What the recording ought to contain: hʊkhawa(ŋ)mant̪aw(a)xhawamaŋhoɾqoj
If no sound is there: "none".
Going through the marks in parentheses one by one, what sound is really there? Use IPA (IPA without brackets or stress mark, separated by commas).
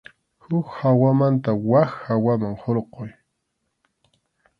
none, a